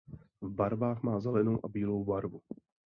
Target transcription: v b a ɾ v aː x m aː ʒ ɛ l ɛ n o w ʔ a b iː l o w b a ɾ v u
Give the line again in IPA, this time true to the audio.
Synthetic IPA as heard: v b a ɾ v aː x m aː z ɛ l ɛ n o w ʔ a b iː l o w b a ɾ v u